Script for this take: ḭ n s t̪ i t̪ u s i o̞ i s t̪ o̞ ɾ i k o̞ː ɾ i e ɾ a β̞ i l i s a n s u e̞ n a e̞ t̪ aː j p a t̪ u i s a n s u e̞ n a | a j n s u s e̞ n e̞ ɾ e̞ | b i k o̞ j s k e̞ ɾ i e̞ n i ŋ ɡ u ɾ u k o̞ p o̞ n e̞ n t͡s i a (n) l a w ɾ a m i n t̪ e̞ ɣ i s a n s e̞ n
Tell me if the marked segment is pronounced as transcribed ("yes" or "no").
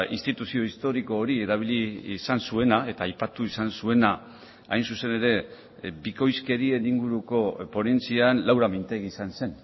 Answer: yes